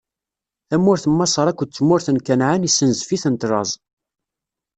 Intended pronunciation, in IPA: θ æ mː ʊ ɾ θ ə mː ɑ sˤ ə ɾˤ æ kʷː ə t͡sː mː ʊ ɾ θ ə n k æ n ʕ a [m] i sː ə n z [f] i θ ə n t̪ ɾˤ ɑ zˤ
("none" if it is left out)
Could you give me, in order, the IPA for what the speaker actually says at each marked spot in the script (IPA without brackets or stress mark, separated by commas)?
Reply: n, f